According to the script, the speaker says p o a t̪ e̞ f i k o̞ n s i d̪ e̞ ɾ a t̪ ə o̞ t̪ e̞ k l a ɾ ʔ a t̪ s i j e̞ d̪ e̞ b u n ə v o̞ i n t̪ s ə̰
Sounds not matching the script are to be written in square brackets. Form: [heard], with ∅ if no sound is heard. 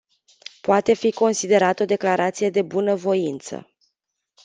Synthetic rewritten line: p o a t̪ e̞ f i k o̞ n s i d̪ e̞ ɾ a t̪ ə o̞ [d̪] e̞ k l a ɾ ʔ a t̪ s i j e̞ d̪ e̞ b u n ə v o̞ i n t̪ s ə̰

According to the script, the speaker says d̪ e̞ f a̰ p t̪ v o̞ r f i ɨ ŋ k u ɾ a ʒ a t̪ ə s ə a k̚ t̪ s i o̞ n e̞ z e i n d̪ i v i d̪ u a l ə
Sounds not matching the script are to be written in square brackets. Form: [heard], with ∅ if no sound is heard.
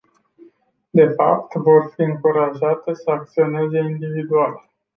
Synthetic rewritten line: d̪ e̞ f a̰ p t̪ v o̞ r f i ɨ ŋ k u ɾ a ʒ a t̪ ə s ə a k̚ t̪ s i o̞ n e̞ z e i n d̪ i v i d̪ u a l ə

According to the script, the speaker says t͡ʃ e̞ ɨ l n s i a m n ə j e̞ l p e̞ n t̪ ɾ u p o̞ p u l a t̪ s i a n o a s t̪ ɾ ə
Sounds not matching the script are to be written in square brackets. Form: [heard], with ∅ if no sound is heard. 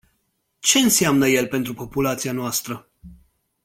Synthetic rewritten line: t͡ʃ e̞ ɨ [∅] n s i a m n ə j e̞ l p e̞ n t̪ ɾ u p o̞ p u l a t̪ s i a n o a s t̪ ɾ ə

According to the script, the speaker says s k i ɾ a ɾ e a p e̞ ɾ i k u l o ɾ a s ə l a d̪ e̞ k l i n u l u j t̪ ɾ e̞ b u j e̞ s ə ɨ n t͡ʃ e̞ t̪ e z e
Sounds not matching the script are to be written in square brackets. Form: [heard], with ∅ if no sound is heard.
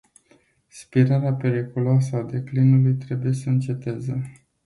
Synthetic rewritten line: s [p] i ɾ a ɾ e a p e̞ ɾ i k u l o [∅] a s ə [∅] a d̪ e̞ k l i n u l u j t̪ ɾ e̞ b u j e̞ s ə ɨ n t͡ʃ e̞ t̪ e z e

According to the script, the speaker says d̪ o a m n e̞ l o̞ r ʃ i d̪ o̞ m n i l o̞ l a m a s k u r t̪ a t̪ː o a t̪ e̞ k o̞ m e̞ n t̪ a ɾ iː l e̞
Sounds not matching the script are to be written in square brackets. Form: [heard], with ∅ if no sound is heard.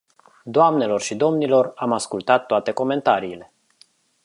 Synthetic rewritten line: d̪ o a m n e̞ l o̞ r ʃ i d̪ o̞ m n i l o̞ [r] a m a s k u [l] t̪ a t̪ː o a t̪ e̞ k o̞ m e̞ n t̪ a ɾ iː l e̞

